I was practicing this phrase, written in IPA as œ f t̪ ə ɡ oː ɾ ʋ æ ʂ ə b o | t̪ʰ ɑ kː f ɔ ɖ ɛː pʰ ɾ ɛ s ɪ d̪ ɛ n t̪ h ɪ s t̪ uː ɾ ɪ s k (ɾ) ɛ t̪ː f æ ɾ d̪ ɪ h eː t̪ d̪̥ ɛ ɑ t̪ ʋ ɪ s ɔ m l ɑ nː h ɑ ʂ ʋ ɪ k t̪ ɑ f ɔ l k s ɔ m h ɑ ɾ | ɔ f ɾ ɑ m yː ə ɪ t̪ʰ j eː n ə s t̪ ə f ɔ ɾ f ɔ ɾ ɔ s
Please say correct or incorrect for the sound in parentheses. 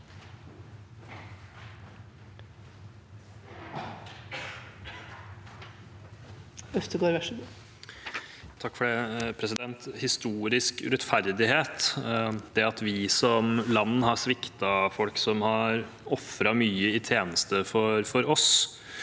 correct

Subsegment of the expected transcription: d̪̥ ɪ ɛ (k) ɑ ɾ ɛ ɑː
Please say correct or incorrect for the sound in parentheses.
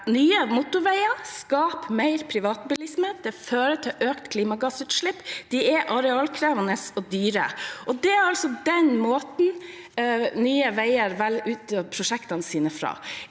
incorrect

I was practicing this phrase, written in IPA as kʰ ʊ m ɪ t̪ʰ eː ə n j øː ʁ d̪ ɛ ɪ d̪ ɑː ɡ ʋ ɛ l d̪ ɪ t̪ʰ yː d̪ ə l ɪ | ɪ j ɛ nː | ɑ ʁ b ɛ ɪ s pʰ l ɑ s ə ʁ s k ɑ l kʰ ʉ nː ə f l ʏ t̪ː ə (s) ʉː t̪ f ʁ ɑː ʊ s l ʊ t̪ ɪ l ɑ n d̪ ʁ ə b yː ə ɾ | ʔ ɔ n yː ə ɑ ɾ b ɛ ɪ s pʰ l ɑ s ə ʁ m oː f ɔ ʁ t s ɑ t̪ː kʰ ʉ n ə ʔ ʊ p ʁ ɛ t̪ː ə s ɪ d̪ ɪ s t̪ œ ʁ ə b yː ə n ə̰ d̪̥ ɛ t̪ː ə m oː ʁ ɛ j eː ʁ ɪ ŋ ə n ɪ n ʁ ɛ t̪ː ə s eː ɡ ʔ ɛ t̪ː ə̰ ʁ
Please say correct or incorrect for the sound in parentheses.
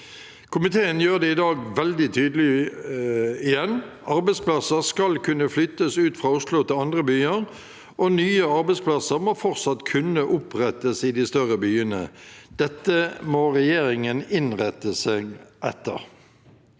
correct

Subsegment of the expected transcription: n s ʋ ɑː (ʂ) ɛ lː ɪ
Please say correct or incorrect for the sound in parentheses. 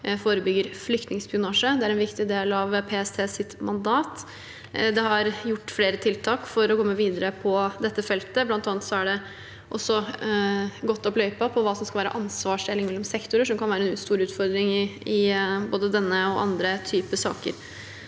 correct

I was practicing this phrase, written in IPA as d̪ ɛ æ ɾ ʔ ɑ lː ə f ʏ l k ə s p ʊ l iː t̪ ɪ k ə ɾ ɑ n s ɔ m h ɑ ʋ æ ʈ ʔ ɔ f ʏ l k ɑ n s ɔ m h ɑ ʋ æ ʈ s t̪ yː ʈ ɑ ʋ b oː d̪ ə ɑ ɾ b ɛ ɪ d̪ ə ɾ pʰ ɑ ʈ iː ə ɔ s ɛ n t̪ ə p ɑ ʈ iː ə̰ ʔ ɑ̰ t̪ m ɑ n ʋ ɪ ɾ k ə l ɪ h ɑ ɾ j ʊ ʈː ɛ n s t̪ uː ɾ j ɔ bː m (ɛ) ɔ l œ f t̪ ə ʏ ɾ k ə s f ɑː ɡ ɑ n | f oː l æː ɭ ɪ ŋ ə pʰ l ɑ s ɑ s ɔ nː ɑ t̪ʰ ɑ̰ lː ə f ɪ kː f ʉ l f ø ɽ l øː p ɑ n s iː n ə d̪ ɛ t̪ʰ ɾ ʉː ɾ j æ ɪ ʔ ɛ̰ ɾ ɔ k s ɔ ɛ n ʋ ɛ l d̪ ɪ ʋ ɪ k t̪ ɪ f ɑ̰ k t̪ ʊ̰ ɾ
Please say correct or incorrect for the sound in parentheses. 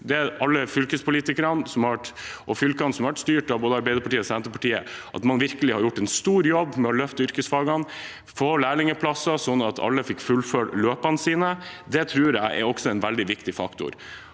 correct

